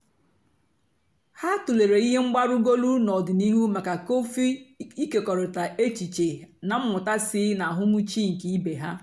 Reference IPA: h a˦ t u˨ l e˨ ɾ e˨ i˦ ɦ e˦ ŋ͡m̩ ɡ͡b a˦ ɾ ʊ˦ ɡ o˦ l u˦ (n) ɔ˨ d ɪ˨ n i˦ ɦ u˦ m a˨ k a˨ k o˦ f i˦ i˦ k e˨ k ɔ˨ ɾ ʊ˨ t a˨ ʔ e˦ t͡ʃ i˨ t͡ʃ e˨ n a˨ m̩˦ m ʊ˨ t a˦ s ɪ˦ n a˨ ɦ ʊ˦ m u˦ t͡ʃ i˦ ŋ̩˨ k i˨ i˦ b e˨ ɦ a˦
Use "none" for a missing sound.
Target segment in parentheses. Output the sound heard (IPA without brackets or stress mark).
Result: n